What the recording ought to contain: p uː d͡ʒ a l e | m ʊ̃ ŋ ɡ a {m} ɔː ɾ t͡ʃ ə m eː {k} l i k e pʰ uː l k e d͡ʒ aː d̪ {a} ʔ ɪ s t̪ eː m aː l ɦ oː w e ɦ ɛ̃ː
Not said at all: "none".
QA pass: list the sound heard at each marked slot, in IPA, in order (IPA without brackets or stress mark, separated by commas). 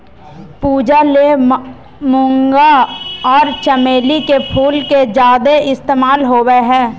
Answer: none, none, e